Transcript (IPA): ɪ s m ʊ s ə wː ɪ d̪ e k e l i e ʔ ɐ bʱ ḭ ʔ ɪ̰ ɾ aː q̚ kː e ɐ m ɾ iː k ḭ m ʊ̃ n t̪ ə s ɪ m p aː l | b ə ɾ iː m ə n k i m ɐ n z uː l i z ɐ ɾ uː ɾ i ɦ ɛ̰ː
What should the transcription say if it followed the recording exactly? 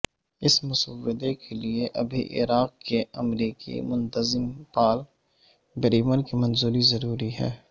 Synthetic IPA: ɪ s m ʊ s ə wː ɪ d̪ e k e l i e ʔ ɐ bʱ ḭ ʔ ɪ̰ ɾ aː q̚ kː e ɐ m ɾ iː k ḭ m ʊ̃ n t̪ ə z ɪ m p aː l | b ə ɾ iː m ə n k i m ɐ n z uː ɾ i z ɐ ɾ uː ɾ i ɦ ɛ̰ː